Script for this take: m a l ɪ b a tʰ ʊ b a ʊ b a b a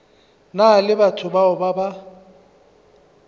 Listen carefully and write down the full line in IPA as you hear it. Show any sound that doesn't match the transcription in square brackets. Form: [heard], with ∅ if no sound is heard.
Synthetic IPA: [n] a l ɪ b a tʰ ʊ b a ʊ b a b a